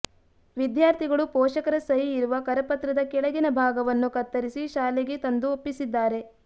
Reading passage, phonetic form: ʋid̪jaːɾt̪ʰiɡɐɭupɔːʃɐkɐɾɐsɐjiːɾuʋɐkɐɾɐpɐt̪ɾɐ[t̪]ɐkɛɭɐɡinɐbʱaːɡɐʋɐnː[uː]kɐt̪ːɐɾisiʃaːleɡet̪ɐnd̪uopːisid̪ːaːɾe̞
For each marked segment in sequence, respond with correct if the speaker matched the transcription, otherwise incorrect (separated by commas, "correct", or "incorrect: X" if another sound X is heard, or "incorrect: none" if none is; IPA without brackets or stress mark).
incorrect: d̪, incorrect: u